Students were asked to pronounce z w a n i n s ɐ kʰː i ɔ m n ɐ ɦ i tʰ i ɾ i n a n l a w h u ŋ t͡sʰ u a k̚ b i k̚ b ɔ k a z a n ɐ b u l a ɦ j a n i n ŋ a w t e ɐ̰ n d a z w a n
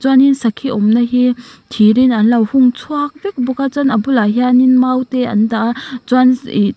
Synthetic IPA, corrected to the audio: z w a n i n s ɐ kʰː i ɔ m n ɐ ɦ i tʰ i ɾ i n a n l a w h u ŋ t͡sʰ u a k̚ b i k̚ b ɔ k a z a n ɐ b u l a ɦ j a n i n m a w t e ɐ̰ n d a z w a n